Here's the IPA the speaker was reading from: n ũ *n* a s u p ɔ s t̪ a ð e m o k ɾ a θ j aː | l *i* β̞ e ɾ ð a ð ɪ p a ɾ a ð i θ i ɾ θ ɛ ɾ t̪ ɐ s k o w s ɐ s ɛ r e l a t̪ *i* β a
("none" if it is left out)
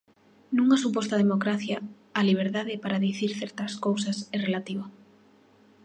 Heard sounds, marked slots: ŋ, i, i

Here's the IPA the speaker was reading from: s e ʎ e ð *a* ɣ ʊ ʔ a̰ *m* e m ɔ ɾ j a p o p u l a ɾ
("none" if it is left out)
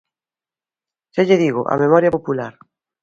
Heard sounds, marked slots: i, m

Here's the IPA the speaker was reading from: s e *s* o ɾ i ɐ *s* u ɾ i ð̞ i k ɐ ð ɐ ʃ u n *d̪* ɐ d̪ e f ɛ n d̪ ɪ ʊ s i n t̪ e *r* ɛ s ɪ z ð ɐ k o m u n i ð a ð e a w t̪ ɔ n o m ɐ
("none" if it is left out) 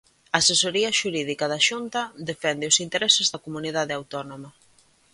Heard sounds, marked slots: s, ʃ, t̪, ɾ

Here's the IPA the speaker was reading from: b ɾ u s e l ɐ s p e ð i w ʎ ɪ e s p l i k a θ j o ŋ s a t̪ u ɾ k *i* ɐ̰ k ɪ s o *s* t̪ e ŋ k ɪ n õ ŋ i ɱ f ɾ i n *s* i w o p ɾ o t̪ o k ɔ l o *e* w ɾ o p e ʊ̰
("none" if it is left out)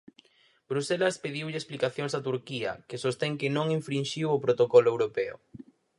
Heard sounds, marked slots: i, s, ʃ, e

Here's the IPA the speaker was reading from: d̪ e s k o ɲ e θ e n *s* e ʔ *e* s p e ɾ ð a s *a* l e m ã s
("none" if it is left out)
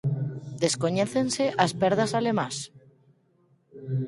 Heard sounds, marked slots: s, a, a

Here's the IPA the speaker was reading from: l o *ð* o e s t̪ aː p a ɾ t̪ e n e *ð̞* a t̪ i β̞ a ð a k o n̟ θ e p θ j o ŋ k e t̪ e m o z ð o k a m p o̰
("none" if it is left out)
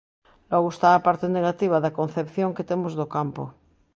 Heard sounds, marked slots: ɣ, ɣ̞

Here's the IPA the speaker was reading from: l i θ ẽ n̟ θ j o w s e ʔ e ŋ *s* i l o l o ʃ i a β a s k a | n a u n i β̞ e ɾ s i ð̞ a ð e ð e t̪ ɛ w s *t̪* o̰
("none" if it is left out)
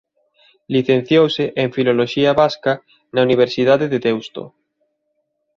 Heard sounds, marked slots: f, t̪

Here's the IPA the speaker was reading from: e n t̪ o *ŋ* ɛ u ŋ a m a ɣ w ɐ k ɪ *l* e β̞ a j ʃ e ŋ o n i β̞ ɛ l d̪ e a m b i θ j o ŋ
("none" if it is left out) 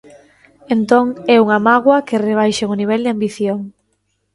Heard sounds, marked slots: ŋ, r

